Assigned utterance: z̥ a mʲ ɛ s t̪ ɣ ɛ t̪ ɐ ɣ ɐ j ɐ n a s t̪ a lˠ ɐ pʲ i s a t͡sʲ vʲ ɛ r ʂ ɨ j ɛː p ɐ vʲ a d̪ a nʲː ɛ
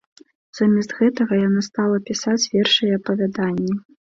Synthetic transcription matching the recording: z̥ a mʲ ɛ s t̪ ɣ ɛ t̪ ɐ ɣ ɐ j a n a s t̪ a lˠ ɐ pʲ i s a t͡sʲ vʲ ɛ r ʂ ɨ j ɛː p ɐ vʲ a d̪ a nʲː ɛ